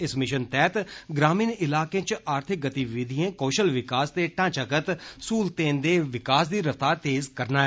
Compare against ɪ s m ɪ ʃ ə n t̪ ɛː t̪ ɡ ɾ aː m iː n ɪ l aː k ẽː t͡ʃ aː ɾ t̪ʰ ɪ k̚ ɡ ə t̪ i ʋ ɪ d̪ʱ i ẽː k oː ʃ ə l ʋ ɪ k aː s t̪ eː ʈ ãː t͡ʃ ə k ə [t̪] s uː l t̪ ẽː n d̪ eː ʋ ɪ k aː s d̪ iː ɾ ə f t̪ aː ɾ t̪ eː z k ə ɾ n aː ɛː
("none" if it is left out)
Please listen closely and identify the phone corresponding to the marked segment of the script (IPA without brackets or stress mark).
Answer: t̪